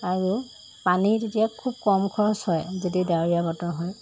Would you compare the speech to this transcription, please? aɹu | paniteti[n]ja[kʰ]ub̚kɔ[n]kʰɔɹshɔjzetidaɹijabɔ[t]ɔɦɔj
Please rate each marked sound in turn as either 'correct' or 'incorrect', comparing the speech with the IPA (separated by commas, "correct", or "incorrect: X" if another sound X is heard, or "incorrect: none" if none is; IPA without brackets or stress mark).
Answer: incorrect: none, correct, incorrect: m, correct